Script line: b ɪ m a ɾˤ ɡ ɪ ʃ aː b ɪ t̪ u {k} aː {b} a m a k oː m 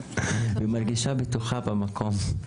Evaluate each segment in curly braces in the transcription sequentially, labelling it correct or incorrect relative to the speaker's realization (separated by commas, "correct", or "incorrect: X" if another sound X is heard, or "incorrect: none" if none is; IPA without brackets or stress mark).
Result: incorrect: x, correct